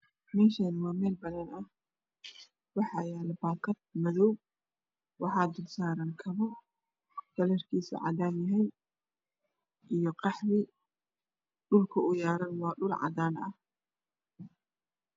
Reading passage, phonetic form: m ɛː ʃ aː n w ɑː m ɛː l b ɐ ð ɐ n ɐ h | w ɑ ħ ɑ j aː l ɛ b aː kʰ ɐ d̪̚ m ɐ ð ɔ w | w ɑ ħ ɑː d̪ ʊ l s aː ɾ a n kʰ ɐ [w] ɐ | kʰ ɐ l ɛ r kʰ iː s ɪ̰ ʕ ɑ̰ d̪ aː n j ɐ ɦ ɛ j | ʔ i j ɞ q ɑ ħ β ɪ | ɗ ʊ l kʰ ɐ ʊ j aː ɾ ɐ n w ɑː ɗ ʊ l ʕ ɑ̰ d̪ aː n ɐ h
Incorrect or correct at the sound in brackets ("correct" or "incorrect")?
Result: incorrect